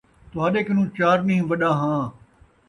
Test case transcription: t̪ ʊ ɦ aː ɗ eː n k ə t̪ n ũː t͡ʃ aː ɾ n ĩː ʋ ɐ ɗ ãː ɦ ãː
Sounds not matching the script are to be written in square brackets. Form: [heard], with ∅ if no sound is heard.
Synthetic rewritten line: t̪ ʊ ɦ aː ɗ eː [∅] k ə [∅] n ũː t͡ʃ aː ɾ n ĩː ʋ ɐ ɗ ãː ɦ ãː

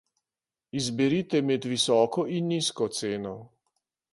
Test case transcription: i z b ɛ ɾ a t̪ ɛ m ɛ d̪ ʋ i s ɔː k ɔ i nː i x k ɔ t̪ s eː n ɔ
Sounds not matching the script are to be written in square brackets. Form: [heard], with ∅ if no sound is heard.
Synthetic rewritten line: i z b ɛ ɾ [i] t̪ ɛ m ɛ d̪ ʋ i s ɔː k ɔ i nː i [s] k ɔ t̪ s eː n ɔ

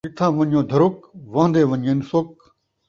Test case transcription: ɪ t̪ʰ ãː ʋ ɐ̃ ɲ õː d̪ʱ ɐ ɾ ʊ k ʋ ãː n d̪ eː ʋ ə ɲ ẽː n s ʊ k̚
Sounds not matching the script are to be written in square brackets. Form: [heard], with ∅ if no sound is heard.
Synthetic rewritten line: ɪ t̪ʰ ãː ʋ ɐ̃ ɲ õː d̪ʱ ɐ ɾ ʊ k ʋ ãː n d̪ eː ʋ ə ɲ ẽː n s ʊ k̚

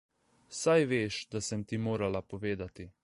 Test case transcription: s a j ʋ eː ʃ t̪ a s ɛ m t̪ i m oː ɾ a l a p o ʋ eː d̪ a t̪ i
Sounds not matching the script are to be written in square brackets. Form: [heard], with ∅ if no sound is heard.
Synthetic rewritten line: s a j ʋ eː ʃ [d̪] a s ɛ m t̪ i m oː ɾ a l a p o ʋ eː d̪ a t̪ i

